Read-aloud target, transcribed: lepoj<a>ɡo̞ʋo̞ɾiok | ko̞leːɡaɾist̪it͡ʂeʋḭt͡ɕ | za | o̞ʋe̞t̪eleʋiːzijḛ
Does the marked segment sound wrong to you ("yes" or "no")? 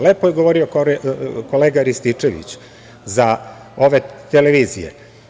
yes